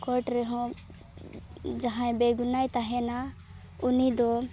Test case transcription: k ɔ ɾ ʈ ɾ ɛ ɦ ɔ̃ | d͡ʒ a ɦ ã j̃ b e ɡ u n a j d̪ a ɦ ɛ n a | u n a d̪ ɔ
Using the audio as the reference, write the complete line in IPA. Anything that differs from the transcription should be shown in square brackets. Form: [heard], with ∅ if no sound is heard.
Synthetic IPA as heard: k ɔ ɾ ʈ ɾ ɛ ɦ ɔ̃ | d͡ʒ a ɦ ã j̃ b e ɡ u n a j [t̪] a ɦ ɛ n a | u n [i] d̪ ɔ